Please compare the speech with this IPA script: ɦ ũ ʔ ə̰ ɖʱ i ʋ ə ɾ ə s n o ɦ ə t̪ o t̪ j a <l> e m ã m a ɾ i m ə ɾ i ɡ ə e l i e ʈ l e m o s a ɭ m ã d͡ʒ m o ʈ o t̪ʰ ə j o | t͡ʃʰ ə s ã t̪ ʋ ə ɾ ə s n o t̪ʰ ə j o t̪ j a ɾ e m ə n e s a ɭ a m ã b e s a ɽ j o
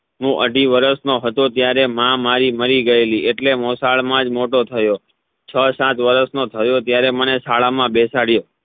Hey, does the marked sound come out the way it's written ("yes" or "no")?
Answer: no